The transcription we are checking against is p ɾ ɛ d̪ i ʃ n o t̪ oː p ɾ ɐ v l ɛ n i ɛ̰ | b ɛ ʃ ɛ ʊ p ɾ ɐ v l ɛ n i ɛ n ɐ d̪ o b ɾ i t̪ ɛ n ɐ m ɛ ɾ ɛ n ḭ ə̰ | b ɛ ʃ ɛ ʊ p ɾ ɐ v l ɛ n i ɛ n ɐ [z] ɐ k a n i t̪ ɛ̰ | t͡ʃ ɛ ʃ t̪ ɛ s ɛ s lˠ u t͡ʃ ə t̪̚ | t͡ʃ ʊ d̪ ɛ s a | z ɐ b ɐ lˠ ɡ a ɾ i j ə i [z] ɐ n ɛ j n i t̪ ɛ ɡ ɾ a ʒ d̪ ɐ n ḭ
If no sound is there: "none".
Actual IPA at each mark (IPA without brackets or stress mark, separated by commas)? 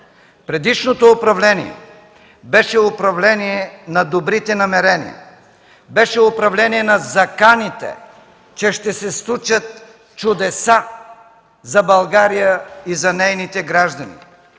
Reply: z, z